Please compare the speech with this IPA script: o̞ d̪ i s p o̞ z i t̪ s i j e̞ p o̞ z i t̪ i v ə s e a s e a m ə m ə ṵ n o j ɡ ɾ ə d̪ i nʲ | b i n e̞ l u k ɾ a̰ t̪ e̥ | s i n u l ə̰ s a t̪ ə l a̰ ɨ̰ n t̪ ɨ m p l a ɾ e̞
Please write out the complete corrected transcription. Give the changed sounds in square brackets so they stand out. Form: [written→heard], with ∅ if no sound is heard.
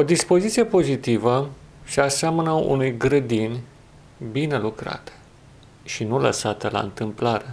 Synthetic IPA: o̞ d̪ i s p o̞ z i t̪ s i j e̞ p o̞ z i t̪ i v ə s e a s e a m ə [m→n] ə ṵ n [o→u] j ɡ ɾ ə d̪ i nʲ | b i n e̞ l u k ɾ a̰ t̪ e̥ | [s→ʃ] i n u l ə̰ s a t̪ ə l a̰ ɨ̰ n t̪ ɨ m p l a ɾ e̞